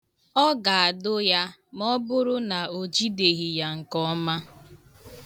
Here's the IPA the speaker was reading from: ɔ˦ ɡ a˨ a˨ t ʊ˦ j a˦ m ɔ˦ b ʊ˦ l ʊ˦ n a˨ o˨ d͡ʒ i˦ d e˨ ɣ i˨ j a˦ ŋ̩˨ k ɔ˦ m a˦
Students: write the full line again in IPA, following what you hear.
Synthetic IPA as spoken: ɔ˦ ɡ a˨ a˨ d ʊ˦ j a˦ m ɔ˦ b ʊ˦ ɾ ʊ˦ n a˨ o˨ d͡ʒ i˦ d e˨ ɣ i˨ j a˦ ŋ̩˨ k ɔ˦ m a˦